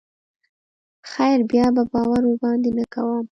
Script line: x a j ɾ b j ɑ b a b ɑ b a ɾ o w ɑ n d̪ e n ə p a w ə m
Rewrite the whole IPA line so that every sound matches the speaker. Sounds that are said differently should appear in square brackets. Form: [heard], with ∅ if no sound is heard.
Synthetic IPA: x a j ɾ b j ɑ b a b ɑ [w] a ɾ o [b] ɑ n d̪ e n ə [k] a w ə m